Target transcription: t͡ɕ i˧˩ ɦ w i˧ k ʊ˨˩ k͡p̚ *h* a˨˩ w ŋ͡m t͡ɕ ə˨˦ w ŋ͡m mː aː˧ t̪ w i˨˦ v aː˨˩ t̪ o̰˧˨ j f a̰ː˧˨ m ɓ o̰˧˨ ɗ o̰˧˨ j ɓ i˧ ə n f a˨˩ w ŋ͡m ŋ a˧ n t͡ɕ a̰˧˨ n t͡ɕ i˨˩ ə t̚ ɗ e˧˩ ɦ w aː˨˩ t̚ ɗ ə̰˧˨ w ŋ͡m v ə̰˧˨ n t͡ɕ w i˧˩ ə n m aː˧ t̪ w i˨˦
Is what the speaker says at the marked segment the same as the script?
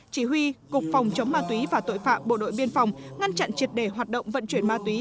no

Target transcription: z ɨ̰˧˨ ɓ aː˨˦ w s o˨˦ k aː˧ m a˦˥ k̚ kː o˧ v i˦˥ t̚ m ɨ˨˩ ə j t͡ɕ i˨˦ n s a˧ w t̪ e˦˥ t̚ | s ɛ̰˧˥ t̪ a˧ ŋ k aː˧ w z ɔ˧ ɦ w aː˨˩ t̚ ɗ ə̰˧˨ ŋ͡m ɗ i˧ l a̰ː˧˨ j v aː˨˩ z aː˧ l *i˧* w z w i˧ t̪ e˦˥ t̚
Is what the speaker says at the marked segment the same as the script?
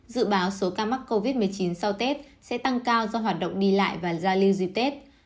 yes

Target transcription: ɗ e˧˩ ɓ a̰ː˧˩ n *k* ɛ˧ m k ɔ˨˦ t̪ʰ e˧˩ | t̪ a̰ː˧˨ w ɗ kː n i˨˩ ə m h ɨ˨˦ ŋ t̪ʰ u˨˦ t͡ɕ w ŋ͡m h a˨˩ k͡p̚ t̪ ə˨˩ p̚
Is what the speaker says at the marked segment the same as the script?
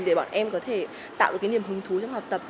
no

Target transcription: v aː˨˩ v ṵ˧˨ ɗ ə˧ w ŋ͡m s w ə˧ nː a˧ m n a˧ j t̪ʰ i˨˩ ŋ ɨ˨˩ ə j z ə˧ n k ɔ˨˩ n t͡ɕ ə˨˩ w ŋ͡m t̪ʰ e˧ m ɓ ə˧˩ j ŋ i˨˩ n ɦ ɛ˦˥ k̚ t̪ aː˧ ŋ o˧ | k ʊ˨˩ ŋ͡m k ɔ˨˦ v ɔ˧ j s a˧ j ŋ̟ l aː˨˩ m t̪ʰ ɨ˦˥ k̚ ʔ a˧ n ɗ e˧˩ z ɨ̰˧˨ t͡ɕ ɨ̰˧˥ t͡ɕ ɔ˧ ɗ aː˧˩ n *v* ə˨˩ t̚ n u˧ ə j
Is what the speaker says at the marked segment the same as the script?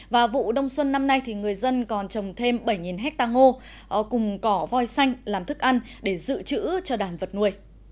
yes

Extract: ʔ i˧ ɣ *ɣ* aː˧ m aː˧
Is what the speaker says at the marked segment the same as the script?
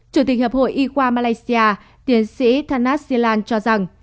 no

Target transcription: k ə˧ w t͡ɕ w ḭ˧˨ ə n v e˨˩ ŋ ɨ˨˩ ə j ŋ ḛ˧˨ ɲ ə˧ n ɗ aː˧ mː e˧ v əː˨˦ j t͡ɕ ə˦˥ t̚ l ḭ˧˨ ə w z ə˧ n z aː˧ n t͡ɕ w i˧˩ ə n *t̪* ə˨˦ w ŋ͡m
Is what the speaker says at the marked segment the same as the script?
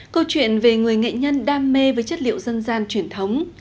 no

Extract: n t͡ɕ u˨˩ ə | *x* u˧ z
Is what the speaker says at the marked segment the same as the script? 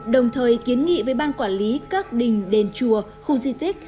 yes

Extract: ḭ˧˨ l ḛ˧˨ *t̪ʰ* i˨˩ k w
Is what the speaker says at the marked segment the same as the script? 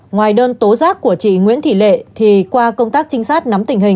yes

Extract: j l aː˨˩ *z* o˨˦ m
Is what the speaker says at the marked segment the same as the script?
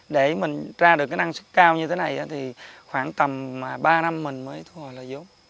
yes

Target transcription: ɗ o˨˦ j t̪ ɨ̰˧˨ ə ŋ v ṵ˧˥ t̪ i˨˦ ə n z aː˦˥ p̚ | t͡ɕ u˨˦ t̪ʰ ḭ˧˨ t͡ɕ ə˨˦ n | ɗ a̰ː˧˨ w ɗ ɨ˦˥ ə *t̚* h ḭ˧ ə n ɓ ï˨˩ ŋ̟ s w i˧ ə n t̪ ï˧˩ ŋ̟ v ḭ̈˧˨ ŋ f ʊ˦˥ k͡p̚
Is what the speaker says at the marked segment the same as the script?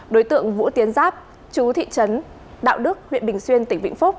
no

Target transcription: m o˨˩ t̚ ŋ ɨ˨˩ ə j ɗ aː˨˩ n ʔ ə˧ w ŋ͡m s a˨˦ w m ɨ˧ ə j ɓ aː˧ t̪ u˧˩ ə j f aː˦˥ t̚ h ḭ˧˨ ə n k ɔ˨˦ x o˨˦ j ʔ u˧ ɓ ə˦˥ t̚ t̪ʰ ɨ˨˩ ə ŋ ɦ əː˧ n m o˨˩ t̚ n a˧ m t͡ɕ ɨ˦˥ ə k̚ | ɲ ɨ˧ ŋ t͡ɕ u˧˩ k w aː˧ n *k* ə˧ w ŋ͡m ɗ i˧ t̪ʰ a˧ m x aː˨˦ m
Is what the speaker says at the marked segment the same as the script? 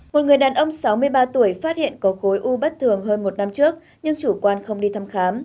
no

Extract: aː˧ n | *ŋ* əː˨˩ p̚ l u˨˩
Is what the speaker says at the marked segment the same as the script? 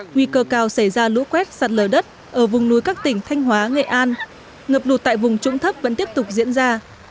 yes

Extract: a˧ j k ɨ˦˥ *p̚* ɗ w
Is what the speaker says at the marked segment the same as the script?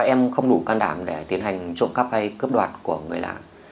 yes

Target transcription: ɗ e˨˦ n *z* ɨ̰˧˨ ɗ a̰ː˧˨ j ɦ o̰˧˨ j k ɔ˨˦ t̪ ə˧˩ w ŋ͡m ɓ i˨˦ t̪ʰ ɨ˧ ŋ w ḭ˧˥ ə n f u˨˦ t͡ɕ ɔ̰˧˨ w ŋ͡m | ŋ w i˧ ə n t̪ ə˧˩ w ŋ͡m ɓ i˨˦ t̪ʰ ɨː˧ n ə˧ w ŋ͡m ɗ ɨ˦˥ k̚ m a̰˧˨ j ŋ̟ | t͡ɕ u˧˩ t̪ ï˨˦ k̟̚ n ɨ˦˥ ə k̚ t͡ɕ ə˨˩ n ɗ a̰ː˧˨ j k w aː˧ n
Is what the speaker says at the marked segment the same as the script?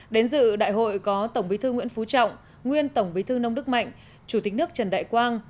yes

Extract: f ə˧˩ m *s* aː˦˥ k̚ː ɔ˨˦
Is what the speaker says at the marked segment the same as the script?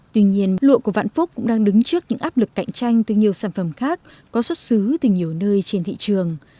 no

